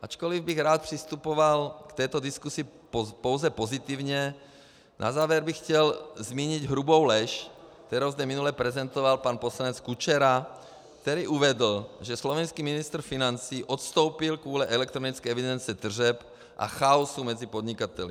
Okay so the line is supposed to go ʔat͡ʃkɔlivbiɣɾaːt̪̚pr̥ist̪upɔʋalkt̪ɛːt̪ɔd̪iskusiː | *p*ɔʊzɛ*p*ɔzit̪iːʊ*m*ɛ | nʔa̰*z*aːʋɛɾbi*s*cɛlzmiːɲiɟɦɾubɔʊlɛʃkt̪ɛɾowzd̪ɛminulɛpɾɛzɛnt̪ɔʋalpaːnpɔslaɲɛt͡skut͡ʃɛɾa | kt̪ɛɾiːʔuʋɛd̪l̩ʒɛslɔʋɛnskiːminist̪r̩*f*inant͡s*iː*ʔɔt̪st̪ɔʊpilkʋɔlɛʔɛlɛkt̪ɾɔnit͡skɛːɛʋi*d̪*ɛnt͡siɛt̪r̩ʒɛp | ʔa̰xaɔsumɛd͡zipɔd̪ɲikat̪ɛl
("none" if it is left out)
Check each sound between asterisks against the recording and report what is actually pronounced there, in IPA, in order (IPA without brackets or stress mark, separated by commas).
p, p, ɲ, z, x, f, iː, d̪